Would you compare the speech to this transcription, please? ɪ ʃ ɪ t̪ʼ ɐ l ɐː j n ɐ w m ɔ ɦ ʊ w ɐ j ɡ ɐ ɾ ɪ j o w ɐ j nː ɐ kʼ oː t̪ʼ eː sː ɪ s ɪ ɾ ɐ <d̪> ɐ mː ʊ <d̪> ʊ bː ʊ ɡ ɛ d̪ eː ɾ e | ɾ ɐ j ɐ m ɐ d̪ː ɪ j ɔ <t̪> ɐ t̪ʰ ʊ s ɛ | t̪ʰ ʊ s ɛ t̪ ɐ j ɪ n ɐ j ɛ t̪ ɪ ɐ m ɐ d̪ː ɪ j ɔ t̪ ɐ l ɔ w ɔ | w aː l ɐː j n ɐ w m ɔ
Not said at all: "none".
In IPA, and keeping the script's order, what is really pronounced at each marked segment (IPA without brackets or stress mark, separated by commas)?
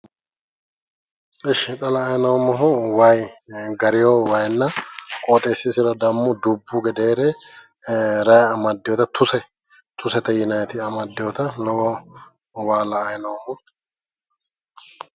d̪, d̪, t̪